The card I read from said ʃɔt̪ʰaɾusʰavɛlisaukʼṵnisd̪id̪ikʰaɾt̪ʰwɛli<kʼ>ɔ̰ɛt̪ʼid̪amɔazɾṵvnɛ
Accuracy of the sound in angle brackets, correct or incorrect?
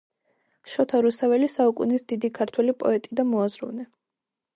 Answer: incorrect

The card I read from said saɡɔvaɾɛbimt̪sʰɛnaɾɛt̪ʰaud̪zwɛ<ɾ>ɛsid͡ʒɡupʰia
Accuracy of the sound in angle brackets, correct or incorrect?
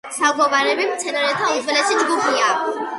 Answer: incorrect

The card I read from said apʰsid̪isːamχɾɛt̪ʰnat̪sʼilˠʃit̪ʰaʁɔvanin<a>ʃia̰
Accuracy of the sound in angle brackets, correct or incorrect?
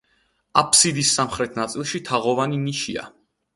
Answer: incorrect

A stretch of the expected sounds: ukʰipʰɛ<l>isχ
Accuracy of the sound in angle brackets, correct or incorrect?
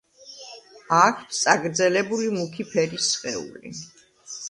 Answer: incorrect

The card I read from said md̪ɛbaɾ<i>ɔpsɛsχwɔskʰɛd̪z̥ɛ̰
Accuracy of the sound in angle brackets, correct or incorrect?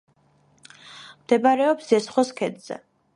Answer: incorrect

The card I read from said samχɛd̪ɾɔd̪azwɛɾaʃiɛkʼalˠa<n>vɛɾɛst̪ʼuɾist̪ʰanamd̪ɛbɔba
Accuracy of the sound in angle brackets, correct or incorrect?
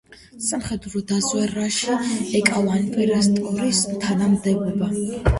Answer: correct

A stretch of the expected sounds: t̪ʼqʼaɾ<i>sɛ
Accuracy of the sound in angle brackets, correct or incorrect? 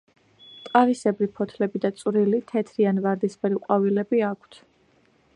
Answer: correct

